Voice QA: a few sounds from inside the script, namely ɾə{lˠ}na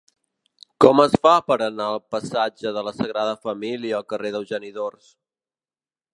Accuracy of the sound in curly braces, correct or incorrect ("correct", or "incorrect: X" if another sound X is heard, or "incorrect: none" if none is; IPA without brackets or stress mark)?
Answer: incorrect: none